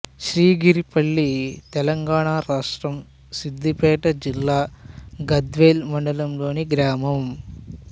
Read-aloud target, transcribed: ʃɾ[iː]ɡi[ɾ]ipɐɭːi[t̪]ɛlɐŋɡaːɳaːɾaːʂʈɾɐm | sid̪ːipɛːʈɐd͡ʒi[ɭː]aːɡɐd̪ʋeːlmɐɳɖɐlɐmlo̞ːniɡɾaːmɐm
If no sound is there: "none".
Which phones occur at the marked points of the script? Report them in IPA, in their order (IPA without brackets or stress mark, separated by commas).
iː, ɾ, t̪, lː